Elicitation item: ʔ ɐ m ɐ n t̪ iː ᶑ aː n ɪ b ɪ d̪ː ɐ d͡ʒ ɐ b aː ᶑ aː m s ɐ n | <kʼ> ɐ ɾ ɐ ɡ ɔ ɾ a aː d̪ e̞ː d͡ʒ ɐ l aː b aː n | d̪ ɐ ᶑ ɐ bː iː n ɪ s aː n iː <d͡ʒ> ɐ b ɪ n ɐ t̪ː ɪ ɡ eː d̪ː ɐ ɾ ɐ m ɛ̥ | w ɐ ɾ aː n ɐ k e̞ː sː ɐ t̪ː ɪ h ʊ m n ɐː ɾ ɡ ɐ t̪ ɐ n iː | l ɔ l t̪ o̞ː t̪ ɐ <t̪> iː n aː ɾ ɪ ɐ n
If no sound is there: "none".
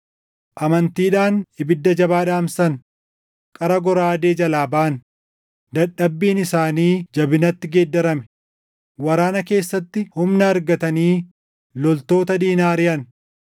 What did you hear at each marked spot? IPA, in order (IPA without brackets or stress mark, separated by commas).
kʼ, d͡ʒ, d̪